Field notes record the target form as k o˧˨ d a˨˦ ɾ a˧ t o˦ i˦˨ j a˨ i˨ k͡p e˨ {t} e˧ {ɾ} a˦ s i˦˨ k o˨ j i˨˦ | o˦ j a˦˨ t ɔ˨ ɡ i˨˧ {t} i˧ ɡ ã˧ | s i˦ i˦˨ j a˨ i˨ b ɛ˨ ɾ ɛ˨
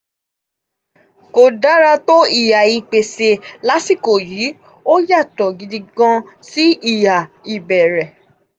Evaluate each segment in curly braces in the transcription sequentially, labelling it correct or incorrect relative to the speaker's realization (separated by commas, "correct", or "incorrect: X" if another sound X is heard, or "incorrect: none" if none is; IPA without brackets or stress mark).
incorrect: s, incorrect: l, incorrect: d